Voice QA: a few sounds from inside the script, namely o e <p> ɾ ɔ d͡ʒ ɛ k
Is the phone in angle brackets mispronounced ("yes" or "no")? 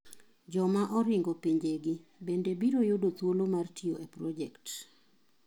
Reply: no